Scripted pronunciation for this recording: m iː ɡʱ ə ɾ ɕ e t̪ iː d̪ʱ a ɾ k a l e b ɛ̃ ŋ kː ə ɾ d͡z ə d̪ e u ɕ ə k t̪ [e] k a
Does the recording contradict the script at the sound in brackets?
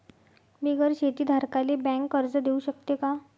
no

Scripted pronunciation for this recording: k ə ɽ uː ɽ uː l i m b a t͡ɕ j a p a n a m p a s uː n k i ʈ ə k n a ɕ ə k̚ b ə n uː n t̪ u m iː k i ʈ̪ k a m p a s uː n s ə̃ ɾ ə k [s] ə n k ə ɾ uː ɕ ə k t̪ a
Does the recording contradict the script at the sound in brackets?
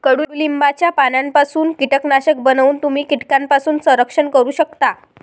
yes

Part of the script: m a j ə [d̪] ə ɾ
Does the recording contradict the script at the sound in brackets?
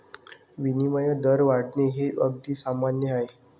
no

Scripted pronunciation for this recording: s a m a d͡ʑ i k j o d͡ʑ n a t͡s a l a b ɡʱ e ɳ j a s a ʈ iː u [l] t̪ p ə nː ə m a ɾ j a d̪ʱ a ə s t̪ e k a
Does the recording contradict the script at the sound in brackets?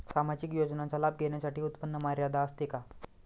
yes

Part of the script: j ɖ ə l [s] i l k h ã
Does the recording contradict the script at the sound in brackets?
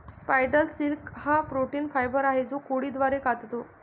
no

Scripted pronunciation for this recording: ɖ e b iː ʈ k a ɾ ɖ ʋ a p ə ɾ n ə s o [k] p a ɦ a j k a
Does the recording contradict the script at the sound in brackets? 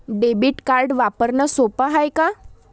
yes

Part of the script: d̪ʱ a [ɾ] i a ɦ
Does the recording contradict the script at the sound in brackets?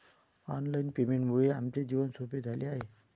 yes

